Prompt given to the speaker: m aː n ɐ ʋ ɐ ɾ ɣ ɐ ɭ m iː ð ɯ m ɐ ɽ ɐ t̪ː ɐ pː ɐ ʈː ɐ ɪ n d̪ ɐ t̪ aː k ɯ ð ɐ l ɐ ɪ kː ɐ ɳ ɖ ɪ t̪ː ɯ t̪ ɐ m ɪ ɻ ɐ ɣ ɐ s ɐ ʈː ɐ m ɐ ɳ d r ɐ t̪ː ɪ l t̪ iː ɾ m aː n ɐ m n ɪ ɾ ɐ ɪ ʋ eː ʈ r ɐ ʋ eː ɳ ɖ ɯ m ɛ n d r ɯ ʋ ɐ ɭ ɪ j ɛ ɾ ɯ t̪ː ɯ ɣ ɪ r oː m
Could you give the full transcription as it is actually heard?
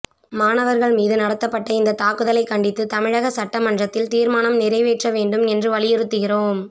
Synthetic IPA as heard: m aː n ɐ ʋ ɐ ɾ ɣ ɐ ɭ m iː ð ɯ n ɐ ɽ ɐ t̪ː ɐ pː ɐ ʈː ɐ ɪ n d̪ ɐ t̪ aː k ɯ ð ɐ l ɐ ɪ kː ɐ ɳ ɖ ɪ t̪ː ɯ t̪ ɐ m ɪ ɻ ɐ ɣ ɐ s ɐ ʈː ɐ m ɐ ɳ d r ɐ t̪ː ɪ l t̪ iː ɾ m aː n ɐ m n ɪ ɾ ɐ ɪ ʋ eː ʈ r ɐ ʋ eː ɳ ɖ ɯ m ɛ n d r ɯ ʋ ɐ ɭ ɪ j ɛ ɾ ɯ t̪ː ɯ ɣ ɪ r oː m